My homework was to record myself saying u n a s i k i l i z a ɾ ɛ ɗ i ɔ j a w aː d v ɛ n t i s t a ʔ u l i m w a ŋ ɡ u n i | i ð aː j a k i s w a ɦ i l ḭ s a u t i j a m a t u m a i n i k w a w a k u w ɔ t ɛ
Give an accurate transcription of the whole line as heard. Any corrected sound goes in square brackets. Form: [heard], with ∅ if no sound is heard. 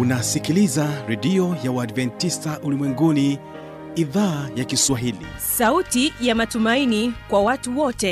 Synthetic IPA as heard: u n a s i k i l i z a ɾ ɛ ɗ i ɔ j a w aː d v ɛ n t i s t a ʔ u l i m w [ɛ] ŋ ɡ u n i | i ð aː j a k i s w a ɦ i l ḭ s a u t i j a m a t u m a i n i k w a w a [t] u w ɔ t ɛ